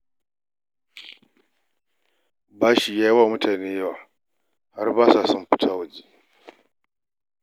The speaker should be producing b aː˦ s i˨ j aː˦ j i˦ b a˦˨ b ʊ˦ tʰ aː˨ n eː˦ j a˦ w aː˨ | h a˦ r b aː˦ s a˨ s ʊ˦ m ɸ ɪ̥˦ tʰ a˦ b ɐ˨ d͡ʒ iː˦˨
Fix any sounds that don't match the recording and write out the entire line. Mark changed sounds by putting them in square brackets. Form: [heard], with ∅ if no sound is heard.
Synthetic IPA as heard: b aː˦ [ʃ] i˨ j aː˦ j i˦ [w] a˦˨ [m] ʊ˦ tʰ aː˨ n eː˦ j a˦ w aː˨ | h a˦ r b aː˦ s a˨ s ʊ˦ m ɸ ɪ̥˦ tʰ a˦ [w] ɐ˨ d͡ʒ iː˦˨